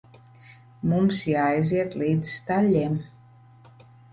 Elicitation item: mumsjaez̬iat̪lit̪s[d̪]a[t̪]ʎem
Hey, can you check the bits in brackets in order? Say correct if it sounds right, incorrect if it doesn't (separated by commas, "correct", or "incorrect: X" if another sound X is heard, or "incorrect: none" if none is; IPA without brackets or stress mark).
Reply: incorrect: t̪, incorrect: none